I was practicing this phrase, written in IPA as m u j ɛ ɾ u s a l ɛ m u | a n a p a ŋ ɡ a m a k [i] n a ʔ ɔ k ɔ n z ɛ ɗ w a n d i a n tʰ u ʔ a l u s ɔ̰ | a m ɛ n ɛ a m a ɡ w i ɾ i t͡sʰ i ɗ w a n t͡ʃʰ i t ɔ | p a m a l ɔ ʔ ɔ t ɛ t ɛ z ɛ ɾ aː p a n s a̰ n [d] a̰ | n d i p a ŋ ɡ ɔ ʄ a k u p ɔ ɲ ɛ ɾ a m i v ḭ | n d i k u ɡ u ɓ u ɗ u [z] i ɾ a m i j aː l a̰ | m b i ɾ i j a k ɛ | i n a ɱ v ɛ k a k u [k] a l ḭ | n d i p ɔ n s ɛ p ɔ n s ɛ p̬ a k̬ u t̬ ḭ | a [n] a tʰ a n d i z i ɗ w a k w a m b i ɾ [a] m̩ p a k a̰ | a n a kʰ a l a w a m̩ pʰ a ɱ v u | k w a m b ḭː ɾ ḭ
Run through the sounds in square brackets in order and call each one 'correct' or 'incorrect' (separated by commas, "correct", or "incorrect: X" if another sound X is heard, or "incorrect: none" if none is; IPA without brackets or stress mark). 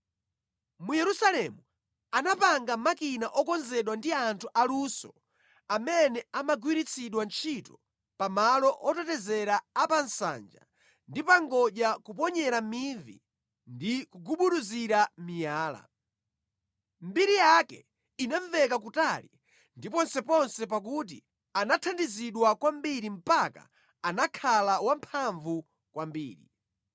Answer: correct, incorrect: d͡ʒ, correct, incorrect: t, correct, incorrect: i